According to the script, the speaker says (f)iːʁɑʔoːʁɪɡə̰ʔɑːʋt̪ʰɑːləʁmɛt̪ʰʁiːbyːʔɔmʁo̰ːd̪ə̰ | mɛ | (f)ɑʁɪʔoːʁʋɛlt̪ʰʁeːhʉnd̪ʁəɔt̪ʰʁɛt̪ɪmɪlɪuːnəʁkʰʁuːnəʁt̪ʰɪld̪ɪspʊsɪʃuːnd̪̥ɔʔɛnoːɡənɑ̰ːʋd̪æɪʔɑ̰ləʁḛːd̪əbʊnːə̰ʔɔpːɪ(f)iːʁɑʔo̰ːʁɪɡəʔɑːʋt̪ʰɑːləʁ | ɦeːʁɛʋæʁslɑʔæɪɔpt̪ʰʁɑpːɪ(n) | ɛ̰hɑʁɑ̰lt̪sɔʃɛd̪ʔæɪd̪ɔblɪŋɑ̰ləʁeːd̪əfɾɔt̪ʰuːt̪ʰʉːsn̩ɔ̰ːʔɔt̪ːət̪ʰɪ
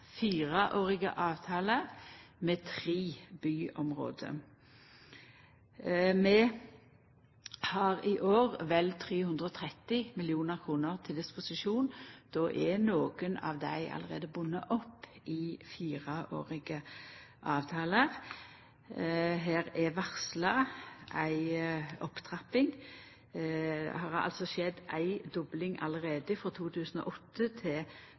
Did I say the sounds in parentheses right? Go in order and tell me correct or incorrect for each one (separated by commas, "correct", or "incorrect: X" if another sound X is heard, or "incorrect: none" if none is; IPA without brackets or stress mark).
correct, incorrect: h, correct, incorrect: ŋ